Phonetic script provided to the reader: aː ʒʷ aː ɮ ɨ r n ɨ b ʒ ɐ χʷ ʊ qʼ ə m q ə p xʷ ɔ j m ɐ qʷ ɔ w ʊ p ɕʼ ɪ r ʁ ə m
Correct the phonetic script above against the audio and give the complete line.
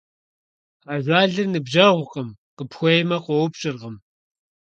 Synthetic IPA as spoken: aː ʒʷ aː ɮ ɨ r n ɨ b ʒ ɐ ʁʷ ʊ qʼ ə m q ə p xʷ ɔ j m ɐ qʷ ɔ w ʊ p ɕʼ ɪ r ʁ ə m